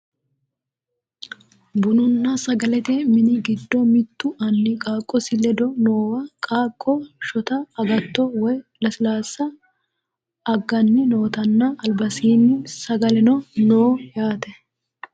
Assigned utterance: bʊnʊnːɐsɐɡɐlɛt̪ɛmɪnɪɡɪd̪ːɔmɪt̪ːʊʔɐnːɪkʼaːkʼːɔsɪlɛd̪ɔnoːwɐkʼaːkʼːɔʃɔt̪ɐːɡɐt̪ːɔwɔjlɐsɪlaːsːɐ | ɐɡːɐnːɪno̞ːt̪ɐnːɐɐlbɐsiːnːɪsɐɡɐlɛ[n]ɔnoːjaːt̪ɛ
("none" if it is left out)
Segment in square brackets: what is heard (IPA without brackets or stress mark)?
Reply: n